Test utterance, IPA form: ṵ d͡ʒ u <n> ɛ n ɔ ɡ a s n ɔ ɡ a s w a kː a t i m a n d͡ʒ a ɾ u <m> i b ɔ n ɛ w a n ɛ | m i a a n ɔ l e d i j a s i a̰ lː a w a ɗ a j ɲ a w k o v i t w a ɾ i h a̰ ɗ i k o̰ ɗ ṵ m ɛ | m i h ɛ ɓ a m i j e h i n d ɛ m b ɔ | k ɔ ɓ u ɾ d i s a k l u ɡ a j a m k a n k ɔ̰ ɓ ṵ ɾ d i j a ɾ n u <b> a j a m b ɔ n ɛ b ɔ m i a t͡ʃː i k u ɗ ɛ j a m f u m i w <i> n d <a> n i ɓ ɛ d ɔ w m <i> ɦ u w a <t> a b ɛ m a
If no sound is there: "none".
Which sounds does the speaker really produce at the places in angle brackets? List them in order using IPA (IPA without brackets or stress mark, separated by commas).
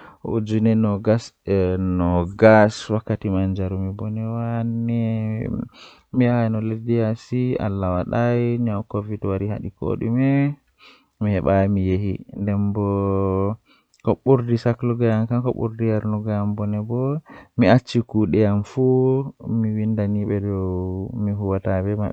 n, m, ɡ, i, a, i, t